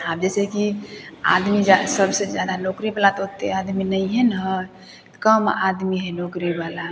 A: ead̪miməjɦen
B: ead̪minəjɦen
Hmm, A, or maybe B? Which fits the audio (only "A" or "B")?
B